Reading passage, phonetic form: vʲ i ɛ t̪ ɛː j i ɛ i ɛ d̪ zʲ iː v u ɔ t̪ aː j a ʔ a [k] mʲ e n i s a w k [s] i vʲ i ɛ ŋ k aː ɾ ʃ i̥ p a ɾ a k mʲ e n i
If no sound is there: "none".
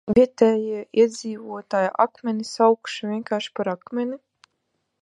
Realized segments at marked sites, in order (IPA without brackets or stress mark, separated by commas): k, ʃ